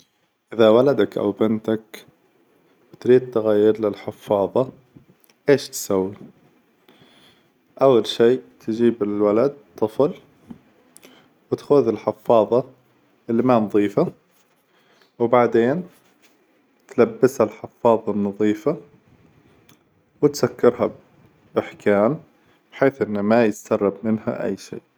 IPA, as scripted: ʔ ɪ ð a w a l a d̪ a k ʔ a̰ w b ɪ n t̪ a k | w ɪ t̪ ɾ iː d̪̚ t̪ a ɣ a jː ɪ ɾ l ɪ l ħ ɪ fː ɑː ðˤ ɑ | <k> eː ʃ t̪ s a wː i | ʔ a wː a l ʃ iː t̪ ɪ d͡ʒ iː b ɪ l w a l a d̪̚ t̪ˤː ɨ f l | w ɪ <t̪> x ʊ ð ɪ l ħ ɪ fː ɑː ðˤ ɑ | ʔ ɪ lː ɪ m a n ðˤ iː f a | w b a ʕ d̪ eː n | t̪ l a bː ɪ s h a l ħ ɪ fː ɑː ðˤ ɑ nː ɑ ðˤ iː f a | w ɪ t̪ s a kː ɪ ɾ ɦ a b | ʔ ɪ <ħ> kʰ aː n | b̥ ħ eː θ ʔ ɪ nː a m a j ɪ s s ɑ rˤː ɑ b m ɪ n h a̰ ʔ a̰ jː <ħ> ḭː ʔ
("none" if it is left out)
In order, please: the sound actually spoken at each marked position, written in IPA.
ʔ, t̪, ħ, ʃ

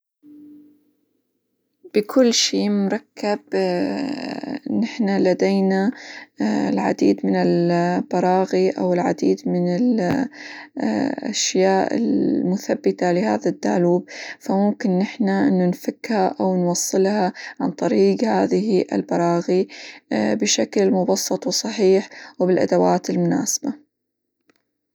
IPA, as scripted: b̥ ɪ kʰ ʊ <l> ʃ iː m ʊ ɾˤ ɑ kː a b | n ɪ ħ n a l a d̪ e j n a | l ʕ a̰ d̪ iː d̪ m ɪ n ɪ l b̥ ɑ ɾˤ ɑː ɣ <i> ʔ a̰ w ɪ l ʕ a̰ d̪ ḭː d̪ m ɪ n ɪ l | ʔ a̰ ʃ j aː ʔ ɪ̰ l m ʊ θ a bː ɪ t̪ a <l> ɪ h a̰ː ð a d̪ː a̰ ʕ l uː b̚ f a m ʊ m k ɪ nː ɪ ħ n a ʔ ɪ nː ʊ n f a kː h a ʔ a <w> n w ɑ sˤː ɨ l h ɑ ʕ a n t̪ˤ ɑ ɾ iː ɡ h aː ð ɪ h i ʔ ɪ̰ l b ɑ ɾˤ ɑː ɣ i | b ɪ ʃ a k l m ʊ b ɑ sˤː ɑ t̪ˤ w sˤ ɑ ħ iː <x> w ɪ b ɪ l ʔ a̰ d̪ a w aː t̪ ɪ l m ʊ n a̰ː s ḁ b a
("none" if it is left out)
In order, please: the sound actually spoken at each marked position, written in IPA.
lː, i, l, w, ħ

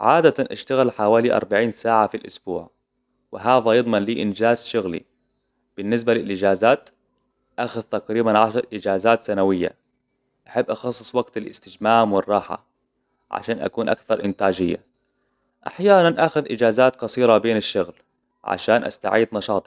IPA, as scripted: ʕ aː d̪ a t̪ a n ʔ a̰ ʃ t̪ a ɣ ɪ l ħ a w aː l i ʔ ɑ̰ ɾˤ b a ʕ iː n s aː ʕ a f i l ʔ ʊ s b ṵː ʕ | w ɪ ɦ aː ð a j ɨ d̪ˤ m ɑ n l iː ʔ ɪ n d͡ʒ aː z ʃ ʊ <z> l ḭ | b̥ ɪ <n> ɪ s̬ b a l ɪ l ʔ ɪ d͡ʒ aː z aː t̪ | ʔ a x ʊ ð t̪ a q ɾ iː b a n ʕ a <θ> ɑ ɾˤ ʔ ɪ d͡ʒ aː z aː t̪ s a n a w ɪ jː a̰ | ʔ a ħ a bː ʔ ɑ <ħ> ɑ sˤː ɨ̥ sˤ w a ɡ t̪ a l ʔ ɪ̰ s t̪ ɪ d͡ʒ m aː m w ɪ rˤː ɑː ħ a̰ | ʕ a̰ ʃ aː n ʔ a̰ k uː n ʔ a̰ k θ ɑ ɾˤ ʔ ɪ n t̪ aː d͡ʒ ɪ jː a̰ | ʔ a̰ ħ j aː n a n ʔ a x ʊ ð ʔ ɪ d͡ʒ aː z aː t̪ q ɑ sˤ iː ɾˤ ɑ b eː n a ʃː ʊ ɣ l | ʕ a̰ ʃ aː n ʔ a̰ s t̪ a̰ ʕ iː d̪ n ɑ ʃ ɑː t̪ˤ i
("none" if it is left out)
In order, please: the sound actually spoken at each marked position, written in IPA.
ɣ, nː, ʃ, x

